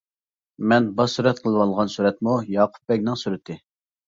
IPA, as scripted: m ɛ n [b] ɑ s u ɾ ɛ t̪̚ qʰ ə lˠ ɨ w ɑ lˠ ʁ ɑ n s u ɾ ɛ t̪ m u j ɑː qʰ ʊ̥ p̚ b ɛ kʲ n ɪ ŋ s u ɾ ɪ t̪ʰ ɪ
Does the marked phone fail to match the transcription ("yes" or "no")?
no